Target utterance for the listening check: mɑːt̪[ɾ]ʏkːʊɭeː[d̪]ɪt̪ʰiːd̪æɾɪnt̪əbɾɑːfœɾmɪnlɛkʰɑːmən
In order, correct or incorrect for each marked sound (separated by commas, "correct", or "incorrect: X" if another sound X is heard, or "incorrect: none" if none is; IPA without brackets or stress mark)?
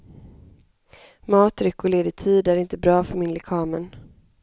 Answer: correct, correct